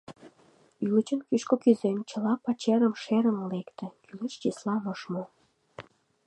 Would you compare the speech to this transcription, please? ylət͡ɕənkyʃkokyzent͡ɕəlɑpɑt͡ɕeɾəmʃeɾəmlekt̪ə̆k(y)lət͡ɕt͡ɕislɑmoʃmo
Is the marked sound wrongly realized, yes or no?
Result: no